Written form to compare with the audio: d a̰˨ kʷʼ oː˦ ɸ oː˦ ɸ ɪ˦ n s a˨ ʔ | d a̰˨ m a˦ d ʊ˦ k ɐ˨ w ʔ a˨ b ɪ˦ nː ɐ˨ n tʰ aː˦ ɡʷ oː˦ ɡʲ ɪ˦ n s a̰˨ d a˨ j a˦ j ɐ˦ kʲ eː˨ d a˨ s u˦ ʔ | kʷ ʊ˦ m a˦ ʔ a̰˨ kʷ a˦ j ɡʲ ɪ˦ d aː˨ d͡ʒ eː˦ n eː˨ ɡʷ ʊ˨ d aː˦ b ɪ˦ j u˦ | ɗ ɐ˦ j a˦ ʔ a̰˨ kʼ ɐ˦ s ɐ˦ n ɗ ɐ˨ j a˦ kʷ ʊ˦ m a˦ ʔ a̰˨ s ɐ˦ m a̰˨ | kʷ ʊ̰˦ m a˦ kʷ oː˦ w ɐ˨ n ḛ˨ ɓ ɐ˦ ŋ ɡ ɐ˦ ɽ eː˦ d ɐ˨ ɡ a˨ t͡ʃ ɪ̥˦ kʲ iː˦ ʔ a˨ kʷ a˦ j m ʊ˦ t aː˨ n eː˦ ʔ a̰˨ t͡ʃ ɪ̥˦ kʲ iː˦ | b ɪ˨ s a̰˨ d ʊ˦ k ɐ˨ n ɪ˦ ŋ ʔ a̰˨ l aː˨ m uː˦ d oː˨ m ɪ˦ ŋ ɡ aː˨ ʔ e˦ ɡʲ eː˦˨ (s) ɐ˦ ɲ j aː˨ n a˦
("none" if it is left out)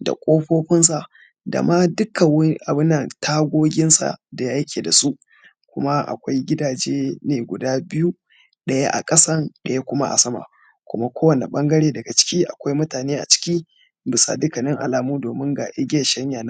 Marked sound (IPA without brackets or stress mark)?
ʃ